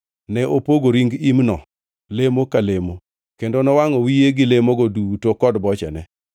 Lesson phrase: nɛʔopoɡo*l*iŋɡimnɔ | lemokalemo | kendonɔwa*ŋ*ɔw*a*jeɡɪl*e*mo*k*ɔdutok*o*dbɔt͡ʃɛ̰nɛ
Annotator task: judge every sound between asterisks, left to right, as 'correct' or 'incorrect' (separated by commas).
incorrect, correct, incorrect, correct, incorrect, incorrect